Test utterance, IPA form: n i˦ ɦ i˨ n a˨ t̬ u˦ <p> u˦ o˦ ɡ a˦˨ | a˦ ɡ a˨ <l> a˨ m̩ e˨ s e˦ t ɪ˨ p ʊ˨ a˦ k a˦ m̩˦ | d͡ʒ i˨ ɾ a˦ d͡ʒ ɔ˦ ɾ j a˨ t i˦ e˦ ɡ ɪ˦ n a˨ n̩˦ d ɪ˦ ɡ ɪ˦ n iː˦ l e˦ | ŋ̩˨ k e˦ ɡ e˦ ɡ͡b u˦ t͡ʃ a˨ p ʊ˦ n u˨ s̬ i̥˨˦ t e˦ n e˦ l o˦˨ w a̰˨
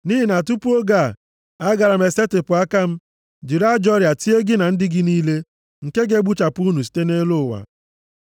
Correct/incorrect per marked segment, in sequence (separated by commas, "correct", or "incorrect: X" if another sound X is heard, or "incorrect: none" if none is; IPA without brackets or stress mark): correct, incorrect: ɾ